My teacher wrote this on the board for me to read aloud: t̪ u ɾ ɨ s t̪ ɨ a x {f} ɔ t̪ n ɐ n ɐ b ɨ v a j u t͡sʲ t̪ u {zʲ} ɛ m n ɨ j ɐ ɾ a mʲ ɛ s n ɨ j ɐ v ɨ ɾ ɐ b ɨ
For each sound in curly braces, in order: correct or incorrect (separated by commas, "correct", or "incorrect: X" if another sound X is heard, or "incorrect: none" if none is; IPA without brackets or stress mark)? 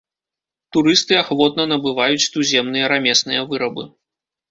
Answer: incorrect: v, correct